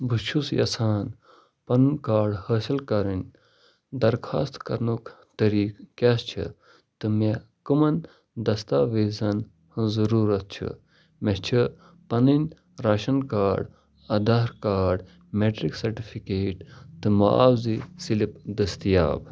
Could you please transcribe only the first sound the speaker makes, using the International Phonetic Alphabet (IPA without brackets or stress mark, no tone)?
b